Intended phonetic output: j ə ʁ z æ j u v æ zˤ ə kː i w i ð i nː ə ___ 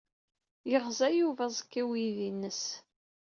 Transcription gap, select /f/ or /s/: s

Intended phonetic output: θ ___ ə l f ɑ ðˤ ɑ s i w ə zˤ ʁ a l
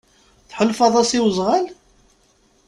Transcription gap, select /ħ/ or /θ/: ħ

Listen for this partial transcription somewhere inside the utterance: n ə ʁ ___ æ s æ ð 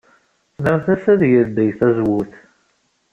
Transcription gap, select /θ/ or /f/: θ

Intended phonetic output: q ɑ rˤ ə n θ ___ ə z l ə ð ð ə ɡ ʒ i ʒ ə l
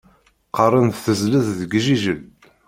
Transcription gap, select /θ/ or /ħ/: θ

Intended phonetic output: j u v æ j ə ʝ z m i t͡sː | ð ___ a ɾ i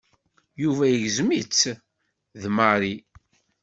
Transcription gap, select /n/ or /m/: m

